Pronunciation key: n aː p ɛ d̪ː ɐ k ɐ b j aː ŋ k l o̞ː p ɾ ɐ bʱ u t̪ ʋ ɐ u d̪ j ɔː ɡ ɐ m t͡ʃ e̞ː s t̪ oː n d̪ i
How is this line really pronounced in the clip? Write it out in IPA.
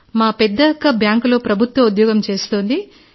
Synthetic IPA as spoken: m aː p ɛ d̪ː ɐ k ɐ b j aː ŋ k l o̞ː p ɾ ɐ bʱ u t̪ ʋ ɐ u d̪ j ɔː ɡ ɐ m t͡ʃ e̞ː s t̪ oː n d̪ i

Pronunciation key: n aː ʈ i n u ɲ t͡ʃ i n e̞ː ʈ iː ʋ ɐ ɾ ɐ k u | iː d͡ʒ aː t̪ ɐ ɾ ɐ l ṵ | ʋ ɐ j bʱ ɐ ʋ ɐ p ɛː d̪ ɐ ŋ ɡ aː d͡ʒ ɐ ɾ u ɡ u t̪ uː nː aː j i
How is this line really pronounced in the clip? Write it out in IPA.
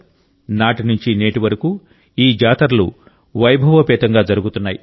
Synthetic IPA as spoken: n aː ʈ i n u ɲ t͡ʃ i n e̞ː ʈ i ʋ ɐ ɾ ɐ k u | iː d͡ʒ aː t̪ ɐ ɾ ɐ l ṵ | ʋ ɐ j bʱ ɐ ʋ ɐ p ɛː t̪ ɐ ŋ ɡ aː d͡ʒ ɐ ɾ u ɡ u t̪ u nː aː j i

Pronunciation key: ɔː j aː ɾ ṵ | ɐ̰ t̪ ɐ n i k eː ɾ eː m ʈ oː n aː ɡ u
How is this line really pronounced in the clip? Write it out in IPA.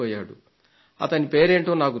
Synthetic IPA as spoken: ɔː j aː ɽ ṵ | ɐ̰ t̪ ɐ n i p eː ɾ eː ɳ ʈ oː n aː k u

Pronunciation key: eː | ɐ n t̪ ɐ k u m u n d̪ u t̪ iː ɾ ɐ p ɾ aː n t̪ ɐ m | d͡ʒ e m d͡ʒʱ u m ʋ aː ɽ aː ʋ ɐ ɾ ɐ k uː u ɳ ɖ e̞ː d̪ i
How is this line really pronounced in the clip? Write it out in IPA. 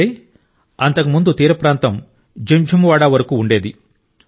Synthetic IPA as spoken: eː | ɐ n t̪ ɐ k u m u n d̪ u t̪ iː ɾ ɐ p ɾ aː n t̪ ɐ m | d͡ʒ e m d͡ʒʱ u m ʋ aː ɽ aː ʋ ɐ ɾ ɐ k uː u ɳ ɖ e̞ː d̪ i

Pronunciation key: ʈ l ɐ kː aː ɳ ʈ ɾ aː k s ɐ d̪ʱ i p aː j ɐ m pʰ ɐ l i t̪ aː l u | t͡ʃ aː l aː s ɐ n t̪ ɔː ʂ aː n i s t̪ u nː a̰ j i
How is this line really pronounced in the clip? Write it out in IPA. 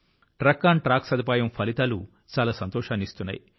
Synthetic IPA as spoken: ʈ ɾ ɐ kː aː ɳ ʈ ɾ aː k s ɐ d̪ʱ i p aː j ɐ m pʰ ɐ l i t̪ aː l u | t͡ʃ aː l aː s ɐ n t̪ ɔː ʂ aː n i s t̪ u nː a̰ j i

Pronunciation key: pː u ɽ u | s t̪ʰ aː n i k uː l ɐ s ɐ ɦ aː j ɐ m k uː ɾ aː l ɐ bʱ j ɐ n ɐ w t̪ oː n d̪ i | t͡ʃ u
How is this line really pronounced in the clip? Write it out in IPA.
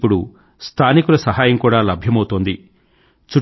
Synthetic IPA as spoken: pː u ɽ u | s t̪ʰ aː n i k u l ɐ s ɐ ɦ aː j ɐ m k uː ɽ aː l ɐ bʱ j ɐ m ɐ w t̪ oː n d̪ i | t͡ʃ u

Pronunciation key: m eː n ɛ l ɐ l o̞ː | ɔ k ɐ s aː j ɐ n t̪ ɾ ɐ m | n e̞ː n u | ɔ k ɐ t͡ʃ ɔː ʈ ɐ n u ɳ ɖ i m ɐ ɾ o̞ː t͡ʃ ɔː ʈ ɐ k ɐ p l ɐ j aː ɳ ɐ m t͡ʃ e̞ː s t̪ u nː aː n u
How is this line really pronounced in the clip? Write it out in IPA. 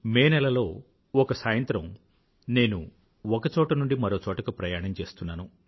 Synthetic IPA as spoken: m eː n ɛ l ɐ l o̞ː | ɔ k ɐ s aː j ɐ n t̪ ɾ ɐ m | n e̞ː n u | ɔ k ɐ t͡ʃ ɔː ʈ ɐ n u ɳ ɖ i m ɐ ɾ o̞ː t͡ʃ ɔː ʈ ɐ k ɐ p ɾ ɐ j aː ɳ ɐ m t͡ʃ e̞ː s t̪ u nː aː n u

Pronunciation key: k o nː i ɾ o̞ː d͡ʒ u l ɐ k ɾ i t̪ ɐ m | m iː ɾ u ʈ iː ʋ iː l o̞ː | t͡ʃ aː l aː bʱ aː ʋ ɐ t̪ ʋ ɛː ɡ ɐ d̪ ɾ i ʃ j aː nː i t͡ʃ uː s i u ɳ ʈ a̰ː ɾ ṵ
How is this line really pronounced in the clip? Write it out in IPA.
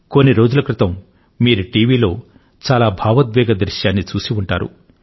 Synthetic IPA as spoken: k o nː i ɾ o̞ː d͡ʒ u l ɐ k ɾ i t̪ ɐ m | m iː ɾ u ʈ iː ʋ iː l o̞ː | t͡ʃ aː l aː bʱ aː ʋ ɐ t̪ ʋ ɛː ɡ ɐ d̪ ɾ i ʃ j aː nː i t͡ʃ uː s i u ɳ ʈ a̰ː ɾ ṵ

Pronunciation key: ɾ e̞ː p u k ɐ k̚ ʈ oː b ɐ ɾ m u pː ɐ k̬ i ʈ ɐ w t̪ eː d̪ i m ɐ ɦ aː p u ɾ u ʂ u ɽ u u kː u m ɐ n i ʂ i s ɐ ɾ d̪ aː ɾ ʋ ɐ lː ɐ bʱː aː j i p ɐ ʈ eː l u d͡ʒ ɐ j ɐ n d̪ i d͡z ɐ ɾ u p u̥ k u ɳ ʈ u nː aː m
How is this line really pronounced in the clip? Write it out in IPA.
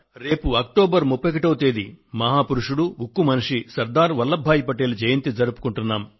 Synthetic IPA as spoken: ɾ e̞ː p u ɐ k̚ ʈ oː b ɐ ɾ m u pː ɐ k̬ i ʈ ɐ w t̪ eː d̪ i m ɐ ɦ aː p u ɾ u ʂ u ɽ u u kː u m ɐ n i ʂ i s ɐ ɾ d̪ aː ɾ ʋ ɐ lː ɐ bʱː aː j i p ɐ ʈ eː l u d͡ʒ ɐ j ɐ n t̪ i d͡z ɐ ɾ u p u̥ k u ɳ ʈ u nː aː m

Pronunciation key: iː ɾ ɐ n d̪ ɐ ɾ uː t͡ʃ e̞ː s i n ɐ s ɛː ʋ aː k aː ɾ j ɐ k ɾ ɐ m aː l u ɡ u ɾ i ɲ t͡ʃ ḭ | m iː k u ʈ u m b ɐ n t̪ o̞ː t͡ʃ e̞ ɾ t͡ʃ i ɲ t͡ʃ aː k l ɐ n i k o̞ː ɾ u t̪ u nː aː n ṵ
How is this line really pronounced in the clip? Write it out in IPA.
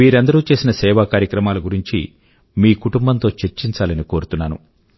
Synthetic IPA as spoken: iː ɾ ɐ n d̪ ɐ ɾ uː t͡ʃ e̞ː s i n ɐ s ɛː ʋ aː k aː ɾ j ɐ k ɾ ɐ m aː l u ɡ u ɾ i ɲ t͡ʃ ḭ | m iː k u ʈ u m b ɐ n t̪ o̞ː t͡ʃ e̞ ɾ t͡ʃ i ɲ t͡ʃ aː l ɐ n i k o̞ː ɾ u t̪ u nː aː n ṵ

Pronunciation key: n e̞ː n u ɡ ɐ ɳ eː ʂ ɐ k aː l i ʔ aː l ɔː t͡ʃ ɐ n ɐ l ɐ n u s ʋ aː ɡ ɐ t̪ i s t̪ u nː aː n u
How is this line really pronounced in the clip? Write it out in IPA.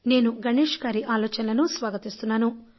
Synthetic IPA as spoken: n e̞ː n u ɡ ɐ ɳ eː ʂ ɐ ɡ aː ɾ i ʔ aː l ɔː t͡ʃ ɐ n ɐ l ɐ n u s ʋ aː ɡ ɐ t̪ i s t̪ u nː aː n u

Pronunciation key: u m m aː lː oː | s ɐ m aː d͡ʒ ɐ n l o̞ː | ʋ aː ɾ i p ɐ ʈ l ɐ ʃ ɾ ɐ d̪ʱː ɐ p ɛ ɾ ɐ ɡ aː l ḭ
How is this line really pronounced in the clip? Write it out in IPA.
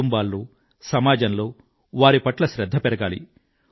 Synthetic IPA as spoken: u m b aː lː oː | s ɐ m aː d͡ʒ ɐ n l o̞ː | ʋ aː ɾ i p ɐ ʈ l ɐ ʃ ɾ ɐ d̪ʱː ɐ p ɛ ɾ ɐ ɡ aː l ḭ

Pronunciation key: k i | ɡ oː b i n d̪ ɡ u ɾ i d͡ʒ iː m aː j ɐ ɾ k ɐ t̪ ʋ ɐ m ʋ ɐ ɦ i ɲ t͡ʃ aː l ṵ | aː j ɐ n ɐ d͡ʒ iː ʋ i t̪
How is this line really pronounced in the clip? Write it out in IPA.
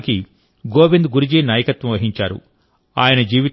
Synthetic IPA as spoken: k i | ɡ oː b i n d̪ ɡ u ɾ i d͡ʒ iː n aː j ɐ k ɐ t̪ ʋ ɐ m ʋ ɐ ɦ i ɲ t͡ʃ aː ɾ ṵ | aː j ɐ n ɐ d͡ʒ iː ʋ i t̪

